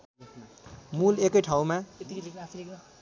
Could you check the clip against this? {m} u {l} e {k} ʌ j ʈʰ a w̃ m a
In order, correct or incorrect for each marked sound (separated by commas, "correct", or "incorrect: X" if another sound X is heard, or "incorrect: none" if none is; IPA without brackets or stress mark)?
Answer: correct, correct, correct